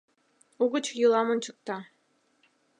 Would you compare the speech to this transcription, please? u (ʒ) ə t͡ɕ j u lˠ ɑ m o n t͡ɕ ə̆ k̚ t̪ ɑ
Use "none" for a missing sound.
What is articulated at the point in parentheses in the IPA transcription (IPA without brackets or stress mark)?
ɣ